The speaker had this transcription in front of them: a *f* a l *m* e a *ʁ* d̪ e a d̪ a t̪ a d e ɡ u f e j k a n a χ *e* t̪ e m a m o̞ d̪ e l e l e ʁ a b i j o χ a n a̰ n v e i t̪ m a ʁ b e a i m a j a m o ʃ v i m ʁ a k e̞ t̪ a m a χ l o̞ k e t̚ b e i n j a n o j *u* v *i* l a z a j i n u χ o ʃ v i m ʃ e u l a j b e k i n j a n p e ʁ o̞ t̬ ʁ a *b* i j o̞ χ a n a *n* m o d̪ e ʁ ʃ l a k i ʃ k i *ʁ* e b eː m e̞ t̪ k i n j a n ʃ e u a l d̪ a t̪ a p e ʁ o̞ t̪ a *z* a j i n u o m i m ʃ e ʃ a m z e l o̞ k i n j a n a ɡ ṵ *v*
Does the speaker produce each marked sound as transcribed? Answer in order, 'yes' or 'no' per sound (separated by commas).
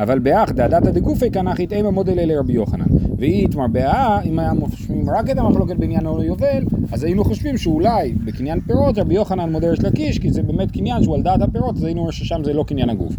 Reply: no, no, no, no, no, no, yes, yes, no, yes, no